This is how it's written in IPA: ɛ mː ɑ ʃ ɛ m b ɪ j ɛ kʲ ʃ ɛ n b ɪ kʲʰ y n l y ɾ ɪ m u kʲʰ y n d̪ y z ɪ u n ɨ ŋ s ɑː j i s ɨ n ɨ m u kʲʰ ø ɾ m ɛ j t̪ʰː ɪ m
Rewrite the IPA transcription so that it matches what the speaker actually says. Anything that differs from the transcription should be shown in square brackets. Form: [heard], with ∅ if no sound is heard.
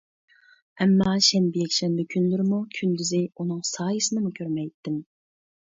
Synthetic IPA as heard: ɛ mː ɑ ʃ ɛ [n] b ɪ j ɛ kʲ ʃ ɛ n b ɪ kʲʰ y n l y ɾ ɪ m u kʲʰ y n d̪ y z ɪ u n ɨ ŋ s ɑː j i s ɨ n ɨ m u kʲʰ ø ɾ m ɛ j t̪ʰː ɪ m